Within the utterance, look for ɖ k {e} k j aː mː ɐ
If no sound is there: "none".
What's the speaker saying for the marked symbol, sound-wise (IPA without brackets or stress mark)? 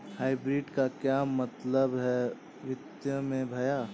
a